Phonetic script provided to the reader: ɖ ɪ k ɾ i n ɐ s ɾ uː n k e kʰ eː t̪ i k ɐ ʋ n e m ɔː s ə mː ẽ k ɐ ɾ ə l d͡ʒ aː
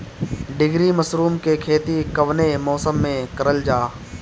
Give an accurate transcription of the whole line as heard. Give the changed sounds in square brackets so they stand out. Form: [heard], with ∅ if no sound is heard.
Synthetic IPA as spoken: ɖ ɪ [ɡ] ɾ i [m] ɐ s ɾ uː [m] k e kʰ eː t̪ i k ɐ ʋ n e m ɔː s ə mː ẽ k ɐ ɾ ə l d͡ʒ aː